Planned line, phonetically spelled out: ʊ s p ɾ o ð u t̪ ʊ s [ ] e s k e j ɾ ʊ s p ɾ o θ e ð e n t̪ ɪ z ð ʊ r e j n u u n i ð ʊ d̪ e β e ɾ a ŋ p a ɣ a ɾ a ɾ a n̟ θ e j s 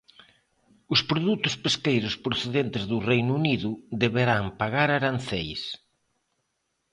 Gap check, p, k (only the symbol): p